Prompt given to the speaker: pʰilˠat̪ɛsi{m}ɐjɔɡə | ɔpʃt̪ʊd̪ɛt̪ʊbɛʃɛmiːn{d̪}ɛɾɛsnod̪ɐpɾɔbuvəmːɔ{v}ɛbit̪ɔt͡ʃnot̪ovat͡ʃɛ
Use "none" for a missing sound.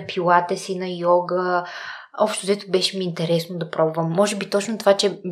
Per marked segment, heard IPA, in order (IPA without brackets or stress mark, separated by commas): n, t̪, ʒ